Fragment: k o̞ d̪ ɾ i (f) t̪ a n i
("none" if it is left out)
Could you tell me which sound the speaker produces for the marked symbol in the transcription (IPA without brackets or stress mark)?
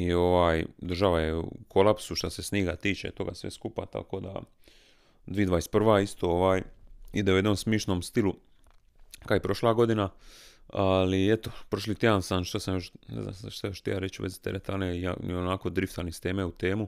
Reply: f